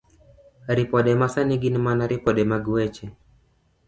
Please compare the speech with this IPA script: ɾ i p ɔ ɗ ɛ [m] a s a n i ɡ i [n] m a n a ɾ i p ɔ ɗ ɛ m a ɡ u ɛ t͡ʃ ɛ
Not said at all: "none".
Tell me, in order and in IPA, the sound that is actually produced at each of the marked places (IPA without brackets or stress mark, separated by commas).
m, n